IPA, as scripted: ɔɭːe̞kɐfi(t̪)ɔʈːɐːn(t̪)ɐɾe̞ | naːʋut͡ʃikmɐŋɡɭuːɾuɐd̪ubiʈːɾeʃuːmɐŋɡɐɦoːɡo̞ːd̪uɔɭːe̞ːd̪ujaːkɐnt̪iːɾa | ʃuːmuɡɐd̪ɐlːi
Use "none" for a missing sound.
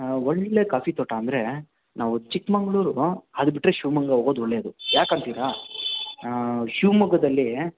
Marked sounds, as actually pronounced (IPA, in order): t̪, d̪

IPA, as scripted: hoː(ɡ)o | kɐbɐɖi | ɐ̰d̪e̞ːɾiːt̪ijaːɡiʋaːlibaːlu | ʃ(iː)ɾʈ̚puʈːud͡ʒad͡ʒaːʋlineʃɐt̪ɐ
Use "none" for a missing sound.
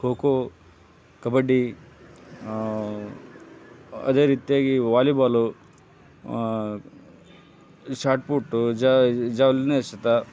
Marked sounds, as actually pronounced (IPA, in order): k, aː

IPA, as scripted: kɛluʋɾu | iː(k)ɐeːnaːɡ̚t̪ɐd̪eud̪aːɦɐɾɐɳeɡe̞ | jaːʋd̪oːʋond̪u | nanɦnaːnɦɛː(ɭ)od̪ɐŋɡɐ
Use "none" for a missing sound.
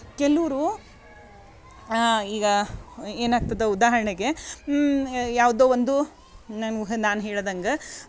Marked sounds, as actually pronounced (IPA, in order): ɡ, ɭ

